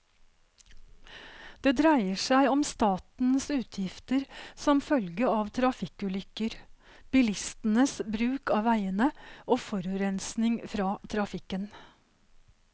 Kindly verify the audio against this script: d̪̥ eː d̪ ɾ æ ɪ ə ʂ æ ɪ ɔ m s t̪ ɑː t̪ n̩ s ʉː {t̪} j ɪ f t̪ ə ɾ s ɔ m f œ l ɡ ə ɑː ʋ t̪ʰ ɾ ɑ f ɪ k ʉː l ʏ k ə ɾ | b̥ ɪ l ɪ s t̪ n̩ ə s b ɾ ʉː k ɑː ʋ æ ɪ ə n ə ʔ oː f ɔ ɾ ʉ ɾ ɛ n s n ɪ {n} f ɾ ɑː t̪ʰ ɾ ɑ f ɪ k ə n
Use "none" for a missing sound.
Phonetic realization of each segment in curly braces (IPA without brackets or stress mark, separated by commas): t̪ʰ, ŋ